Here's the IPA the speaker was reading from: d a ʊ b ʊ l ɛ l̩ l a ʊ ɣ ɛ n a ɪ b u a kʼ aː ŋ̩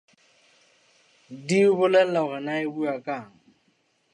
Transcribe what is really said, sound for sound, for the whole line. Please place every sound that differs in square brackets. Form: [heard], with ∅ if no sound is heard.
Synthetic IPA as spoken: d [i] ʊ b ʊ l ɛ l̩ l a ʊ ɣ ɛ n a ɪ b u a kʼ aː ŋ̩